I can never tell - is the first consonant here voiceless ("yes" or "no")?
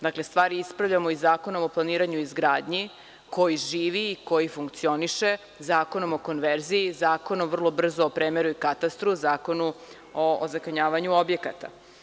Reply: no